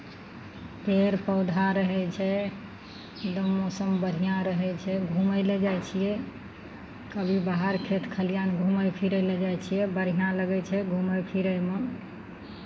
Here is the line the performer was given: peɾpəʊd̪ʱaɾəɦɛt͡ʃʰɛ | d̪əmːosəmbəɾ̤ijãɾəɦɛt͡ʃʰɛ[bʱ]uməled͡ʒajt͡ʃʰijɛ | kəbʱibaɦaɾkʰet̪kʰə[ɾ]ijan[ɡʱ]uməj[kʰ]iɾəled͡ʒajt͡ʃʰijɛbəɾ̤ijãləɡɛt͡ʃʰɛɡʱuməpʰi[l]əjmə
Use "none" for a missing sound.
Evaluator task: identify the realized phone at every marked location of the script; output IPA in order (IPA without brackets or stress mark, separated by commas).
ɡʱ, l, ɡʱ, pʰ, ɾ